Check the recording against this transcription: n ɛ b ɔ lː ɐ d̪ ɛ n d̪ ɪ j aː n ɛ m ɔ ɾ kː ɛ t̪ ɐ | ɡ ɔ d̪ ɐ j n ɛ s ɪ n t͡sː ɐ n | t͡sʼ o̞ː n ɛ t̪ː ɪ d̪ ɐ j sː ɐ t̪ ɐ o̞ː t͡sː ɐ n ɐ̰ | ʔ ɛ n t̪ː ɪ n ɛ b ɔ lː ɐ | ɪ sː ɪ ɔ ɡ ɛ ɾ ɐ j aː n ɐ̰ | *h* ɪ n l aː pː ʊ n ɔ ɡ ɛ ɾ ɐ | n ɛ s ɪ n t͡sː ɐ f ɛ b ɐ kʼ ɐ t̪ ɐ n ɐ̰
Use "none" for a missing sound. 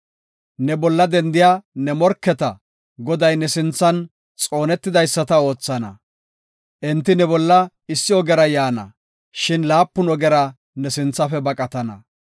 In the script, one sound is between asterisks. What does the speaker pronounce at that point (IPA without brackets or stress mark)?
ʃ